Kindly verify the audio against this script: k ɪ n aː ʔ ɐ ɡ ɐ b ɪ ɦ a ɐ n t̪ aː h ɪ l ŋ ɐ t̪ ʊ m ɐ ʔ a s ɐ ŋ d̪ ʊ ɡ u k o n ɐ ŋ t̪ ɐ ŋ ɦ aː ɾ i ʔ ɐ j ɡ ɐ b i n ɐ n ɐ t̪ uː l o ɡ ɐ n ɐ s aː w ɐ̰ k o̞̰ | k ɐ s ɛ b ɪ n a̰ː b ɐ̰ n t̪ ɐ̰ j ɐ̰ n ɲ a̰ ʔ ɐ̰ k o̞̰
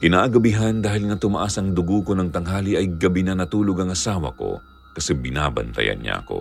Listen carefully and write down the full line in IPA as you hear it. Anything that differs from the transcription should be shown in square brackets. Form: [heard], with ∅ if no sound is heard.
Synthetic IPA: k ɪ n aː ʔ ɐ ɡ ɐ b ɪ ɦ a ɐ n [d̪] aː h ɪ l ŋ ɐ t̪ ʊ m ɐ ʔ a s ɐ ŋ d̪ ʊ ɡ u k o n ɐ ŋ t̪ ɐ ŋ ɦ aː [l] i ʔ ɐ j ɡ ɐ b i n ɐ n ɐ t̪ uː l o ɡ ɐ [ŋ] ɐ s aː w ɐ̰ k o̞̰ | k ɐ s ɛ b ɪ n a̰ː b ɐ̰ n t̪ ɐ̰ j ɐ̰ n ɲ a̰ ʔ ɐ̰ k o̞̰